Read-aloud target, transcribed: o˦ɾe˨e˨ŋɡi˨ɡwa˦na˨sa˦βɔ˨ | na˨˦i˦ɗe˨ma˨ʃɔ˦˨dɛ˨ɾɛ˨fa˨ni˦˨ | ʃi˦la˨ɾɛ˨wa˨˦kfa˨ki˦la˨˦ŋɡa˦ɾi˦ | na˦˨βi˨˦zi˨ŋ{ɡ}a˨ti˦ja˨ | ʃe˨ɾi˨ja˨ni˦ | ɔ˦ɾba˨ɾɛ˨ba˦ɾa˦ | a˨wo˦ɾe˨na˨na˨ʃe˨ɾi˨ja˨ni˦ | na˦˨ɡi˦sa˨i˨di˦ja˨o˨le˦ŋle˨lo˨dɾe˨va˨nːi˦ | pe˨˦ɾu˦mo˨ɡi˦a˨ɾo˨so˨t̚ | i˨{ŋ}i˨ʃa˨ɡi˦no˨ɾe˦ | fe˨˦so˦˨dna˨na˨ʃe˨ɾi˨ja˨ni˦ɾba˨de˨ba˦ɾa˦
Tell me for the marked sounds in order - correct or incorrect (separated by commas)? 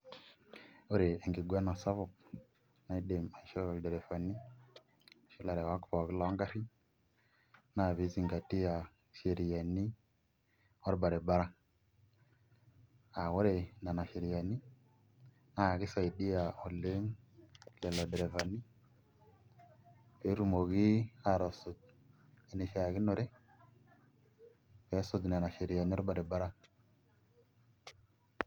correct, incorrect